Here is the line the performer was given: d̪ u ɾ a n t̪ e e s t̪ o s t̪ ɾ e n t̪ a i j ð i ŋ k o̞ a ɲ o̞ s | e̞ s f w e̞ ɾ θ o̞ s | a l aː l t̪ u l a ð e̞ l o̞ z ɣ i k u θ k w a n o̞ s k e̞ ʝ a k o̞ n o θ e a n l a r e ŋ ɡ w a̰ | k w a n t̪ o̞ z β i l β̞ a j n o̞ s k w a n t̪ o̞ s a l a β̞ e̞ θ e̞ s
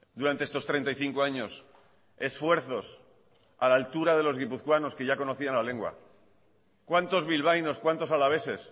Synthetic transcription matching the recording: d̪ u ɾ a n t̪ e e s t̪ o s t̪ ɾ e n t̪ a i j θ i ŋ k o̞ a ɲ o̞ s | e̞ s f w e̞ ɾ θ o̞ s | a l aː l t̪ u ɾ a ð e̞ l o̞ z ɣ i p u θ k w a n o̞ s k e̞ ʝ a k o̞ n o θ i a n l a l e ŋ ɡ w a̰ | k w a n t̪ o̞ z β i l β̞ a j n o̞ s k w a n t̪ o̞ s a l a β̞ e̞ s e̞ s